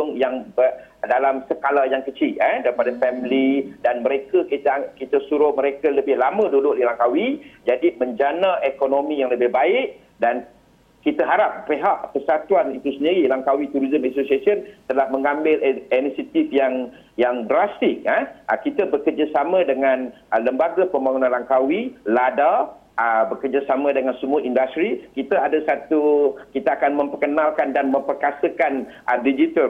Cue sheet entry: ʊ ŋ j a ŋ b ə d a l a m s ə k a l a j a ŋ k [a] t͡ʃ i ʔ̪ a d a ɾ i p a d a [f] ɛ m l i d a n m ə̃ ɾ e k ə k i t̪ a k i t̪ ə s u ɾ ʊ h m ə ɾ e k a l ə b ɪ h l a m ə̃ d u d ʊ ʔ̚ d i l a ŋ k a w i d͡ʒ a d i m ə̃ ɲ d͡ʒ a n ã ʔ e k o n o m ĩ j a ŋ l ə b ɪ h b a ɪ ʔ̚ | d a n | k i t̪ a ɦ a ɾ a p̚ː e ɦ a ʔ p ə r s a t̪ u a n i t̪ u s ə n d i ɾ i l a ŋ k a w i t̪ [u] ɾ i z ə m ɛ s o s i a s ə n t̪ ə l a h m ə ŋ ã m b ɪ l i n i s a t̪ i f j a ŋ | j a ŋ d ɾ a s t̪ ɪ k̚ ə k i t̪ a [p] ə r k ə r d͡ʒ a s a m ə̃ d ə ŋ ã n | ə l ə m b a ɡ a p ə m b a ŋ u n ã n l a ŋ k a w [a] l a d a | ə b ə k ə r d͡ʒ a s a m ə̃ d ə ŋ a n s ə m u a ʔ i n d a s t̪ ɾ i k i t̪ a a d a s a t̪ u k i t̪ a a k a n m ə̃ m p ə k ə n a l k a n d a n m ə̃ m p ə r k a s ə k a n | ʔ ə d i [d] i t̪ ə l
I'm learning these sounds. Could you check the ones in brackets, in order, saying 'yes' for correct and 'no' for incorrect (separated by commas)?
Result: no, yes, yes, no, no, no